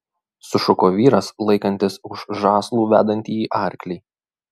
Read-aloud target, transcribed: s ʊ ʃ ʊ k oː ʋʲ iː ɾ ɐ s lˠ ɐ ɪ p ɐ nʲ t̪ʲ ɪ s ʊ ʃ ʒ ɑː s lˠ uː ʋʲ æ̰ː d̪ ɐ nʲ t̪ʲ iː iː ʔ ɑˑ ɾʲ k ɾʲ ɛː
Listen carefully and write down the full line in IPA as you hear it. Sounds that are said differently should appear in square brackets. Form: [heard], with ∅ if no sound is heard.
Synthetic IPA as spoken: s ʊ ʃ ʊ k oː ʋʲ iː ɾ ɐ s lˠ ɐ ɪ [k] ɐ nʲ t̪ʲ ɪ s ʊ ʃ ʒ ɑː s lˠ uː ʋʲ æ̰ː d̪ ɐ nʲ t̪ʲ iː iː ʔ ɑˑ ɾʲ k [lʲ] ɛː